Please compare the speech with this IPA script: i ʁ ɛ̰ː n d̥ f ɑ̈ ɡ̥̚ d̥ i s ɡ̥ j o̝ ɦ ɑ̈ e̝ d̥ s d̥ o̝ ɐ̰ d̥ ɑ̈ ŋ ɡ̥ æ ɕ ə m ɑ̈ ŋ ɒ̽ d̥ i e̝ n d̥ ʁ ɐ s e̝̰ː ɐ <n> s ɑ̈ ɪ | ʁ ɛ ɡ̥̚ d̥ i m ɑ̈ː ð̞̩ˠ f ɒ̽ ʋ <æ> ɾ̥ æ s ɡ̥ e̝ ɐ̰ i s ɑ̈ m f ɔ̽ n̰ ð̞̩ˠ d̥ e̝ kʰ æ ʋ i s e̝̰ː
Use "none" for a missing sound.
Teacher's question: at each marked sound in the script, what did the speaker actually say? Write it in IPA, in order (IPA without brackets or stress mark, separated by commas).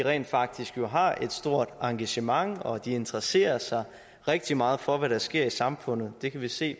none, æ